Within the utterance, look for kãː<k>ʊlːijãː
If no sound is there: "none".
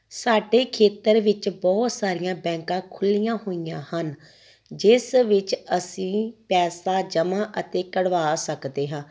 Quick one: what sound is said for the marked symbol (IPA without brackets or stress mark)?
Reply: kʰ